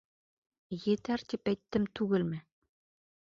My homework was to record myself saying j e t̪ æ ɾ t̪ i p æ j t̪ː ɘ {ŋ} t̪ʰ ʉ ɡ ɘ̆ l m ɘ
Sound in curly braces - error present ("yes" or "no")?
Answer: yes